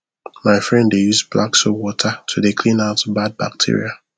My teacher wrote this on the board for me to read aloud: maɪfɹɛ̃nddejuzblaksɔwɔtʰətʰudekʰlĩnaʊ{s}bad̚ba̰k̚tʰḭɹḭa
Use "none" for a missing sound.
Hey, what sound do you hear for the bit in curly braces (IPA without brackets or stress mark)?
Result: t